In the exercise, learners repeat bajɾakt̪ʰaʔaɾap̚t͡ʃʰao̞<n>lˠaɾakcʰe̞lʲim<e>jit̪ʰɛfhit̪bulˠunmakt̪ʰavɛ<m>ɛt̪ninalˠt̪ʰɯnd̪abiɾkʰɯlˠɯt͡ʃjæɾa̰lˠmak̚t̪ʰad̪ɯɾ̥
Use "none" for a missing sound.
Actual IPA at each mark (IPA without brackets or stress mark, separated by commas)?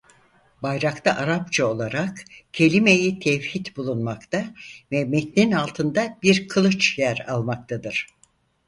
none, e, m